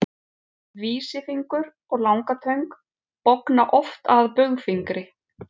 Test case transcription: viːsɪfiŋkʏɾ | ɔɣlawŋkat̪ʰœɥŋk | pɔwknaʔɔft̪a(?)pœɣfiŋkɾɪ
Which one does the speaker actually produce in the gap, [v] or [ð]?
ð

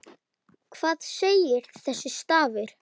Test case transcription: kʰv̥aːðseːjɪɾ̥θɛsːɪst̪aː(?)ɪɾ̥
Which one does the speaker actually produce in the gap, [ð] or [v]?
v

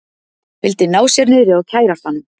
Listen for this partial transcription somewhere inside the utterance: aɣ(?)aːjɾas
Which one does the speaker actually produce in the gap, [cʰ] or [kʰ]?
cʰ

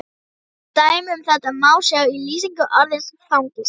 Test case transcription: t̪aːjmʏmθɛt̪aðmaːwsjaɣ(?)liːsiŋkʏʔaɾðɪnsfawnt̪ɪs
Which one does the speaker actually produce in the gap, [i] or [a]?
i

